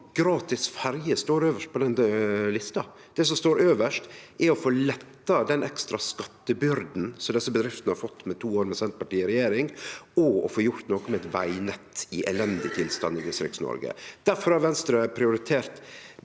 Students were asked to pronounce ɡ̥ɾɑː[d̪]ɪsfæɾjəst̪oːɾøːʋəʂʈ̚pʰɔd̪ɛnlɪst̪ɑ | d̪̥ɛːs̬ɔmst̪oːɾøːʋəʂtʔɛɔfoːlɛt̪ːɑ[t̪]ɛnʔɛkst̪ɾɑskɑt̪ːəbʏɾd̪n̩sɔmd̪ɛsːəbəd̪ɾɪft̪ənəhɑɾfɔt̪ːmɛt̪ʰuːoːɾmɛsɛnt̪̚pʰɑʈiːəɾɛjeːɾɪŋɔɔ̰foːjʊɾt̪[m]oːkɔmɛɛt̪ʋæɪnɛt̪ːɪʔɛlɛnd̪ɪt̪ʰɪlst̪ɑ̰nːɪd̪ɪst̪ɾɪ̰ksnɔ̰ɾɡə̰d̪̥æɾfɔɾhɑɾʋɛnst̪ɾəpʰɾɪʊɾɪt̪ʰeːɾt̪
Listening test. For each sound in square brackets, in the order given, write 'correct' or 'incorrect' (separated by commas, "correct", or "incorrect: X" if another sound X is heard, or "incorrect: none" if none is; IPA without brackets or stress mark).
incorrect: t̪, incorrect: d̪, incorrect: n